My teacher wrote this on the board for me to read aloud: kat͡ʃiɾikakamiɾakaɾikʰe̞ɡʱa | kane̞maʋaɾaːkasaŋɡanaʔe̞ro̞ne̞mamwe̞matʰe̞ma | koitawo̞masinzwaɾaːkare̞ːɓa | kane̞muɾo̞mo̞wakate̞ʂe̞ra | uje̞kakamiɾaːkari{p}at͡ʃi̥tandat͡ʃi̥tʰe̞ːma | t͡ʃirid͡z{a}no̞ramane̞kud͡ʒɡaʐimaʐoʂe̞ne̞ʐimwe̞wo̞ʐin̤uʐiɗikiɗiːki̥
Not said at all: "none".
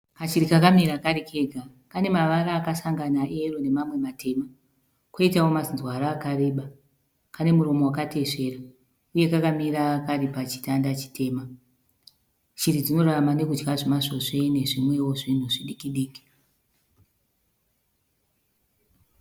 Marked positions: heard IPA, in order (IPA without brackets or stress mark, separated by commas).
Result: p, i